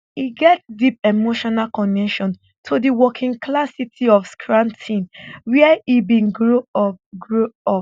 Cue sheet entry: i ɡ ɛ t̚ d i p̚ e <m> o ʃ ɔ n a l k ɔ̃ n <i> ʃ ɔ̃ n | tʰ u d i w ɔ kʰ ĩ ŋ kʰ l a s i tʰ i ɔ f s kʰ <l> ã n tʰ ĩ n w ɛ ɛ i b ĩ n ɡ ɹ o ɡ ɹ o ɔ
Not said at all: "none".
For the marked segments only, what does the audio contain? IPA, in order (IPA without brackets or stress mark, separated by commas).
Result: m, ɛ, ɹ